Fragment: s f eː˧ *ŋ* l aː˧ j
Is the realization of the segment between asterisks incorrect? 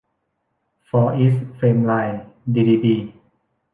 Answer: yes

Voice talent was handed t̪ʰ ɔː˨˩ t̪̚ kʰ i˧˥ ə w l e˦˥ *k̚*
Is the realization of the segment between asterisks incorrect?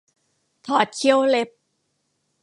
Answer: yes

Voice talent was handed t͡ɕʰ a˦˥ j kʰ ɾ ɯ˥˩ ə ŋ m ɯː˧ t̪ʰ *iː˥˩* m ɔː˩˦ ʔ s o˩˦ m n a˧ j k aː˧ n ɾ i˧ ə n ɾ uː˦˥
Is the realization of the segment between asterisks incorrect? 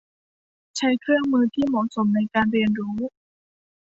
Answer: no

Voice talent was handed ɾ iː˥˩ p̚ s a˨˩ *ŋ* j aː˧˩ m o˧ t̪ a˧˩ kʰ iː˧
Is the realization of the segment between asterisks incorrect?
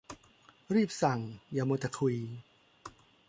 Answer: no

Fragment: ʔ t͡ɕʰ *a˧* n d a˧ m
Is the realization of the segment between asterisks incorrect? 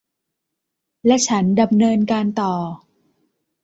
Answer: yes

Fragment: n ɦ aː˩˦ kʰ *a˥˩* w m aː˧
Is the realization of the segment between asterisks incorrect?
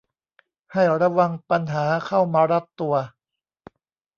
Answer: no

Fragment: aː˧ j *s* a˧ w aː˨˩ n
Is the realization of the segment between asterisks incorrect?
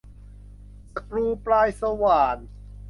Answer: no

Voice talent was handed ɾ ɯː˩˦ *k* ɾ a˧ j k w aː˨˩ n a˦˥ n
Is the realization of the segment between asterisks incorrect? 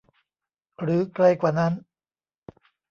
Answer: no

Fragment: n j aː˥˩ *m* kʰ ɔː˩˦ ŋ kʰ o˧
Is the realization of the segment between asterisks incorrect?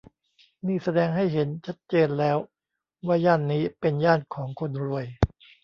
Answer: yes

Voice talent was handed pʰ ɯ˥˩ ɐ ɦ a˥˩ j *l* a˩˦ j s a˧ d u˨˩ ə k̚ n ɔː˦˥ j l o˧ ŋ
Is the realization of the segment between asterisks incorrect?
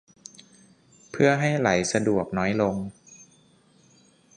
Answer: no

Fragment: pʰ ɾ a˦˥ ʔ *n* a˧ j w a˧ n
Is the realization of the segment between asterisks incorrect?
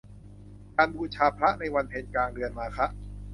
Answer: no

